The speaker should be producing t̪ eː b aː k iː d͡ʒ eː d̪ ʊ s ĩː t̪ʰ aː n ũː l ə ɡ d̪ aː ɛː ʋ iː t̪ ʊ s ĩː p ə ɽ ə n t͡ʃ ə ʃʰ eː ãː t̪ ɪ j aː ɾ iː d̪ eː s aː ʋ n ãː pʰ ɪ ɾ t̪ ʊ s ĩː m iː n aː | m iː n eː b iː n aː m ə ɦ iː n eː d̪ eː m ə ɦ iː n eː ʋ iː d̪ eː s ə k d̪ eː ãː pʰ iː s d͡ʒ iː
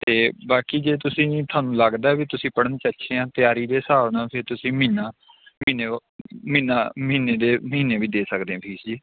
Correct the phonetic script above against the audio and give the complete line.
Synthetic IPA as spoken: t̪ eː b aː k iː d͡ʒ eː t̪ ʊ s ĩː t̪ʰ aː n ũː l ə ɡ d̪ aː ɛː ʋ iː t̪ ʊ s ĩː p ə ɽ ə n t͡ʃ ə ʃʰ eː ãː t̪ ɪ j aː ɾ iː d̪ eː s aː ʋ n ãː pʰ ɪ ɾ t̪ ʊ s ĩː m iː n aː | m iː n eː m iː n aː m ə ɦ iː n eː d̪ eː m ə ɦ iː n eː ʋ iː d̪ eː s ə k d̪ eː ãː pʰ iː s d͡ʒ iː